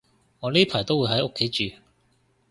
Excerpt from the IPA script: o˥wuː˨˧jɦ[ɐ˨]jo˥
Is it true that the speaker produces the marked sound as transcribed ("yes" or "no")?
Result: no